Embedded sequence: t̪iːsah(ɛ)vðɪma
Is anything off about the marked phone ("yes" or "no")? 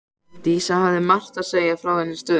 yes